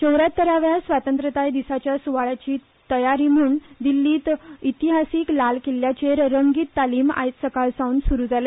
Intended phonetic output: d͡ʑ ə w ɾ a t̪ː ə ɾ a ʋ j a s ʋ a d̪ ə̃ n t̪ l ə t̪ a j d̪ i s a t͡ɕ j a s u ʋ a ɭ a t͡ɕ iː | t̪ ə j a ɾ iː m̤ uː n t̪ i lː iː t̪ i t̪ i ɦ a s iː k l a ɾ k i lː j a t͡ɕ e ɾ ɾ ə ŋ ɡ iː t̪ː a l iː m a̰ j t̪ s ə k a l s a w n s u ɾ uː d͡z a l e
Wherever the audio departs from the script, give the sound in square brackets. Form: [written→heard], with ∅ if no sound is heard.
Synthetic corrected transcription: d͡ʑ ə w ɾ a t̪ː ə ɾ a ʋ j a s ʋ a [d̪→t̪] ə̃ n t̪ [l→ɾ] ə t̪ a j d̪ i s a t͡ɕ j a s u ʋ a ɭ a t͡ɕ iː | t̪ ə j a ɾ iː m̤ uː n [t̪→d̪] i lː iː t̪ i t̪ i ɦ a s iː k l a [ɾ→l] k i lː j a t͡ɕ e ɾ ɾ ə ŋ ɡ iː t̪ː a l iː m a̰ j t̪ s ə k a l s a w n s u ɾ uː d͡z a l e